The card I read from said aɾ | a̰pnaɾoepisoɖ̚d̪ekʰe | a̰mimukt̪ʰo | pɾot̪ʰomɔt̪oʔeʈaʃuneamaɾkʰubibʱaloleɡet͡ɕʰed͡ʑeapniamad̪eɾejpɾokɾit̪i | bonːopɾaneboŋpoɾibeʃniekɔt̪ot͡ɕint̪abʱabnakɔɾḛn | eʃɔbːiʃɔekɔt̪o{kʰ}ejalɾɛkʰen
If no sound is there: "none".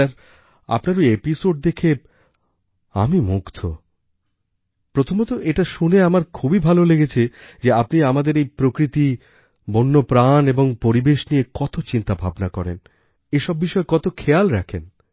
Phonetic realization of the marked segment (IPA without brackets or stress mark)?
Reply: kʰ